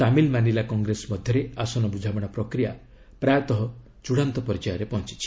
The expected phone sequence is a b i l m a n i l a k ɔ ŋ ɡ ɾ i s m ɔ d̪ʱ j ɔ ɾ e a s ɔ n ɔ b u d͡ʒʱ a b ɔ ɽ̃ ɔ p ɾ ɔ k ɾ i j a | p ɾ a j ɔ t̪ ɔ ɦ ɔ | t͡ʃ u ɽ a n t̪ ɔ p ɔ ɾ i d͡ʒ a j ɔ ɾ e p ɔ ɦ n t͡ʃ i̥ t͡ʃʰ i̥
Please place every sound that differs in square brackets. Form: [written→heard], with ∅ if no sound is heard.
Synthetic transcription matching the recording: a [b→m] i l m a n i l a k ɔ ŋ ɡ ɾ [i→e] s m ɔ d̪ʱ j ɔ ɾ e a s ɔ n ɔ b u d͡ʒʱ a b ɔ ɽ̃ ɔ p ɾ ɔ k ɾ i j a | p ɾ a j ɔ t̪ ɔ ɦ ɔ | t͡ʃ u ɽ a n t̪ ɔ p ɔ ɾ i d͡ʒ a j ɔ ɾ e p ɔ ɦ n t͡ʃ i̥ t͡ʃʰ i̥